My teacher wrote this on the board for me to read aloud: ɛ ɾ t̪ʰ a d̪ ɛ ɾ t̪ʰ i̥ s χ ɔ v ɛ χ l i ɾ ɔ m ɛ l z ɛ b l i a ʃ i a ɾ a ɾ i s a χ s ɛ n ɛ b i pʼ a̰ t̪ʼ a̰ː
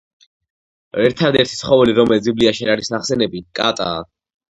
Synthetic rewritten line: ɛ ɾ t̪ʰ a d̪ ɛ ɾ t̪ʰ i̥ s χ ɔ v ɛ l i ɾ ɔ m ɛ l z i b l i a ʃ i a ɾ a ɾ i s a χ s ɛ n ɛ b i kʼ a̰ t̪ʼ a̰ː